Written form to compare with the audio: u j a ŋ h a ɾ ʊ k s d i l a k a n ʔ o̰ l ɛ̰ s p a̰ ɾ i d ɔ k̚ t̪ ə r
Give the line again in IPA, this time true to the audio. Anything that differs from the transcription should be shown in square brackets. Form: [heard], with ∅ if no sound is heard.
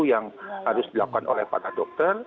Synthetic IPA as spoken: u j a ŋ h a ɾ ʊ [∅] s d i l a k a n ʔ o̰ l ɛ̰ [h] p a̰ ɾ [a] d ɔ k̚ t̪ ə r